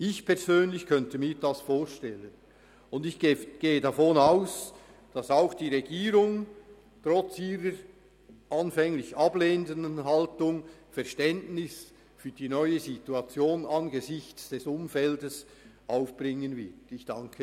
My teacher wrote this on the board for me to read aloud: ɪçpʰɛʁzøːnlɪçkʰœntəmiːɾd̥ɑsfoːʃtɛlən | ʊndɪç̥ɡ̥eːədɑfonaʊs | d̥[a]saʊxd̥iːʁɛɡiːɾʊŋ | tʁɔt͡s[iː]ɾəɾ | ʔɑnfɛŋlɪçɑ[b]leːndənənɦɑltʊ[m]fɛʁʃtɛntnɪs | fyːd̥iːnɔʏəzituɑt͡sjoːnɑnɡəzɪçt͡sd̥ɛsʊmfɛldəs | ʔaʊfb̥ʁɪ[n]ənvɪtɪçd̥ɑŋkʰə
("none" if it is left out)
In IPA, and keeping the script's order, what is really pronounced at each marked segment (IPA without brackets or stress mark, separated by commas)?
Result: ɑ, iː, b, ŋ, ŋ